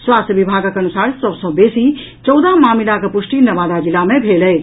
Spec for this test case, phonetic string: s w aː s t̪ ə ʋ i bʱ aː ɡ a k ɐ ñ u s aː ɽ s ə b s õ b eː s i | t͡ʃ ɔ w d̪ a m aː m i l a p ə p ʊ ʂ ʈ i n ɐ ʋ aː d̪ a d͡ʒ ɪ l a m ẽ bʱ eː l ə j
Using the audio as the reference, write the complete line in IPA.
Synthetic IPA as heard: s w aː s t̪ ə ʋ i bʱ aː ɡ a k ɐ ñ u s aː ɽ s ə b s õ b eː s i | t͡ʃ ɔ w d̪ a m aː m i l a k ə p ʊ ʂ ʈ i n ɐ ʋ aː d̪ a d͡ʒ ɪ l a m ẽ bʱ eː l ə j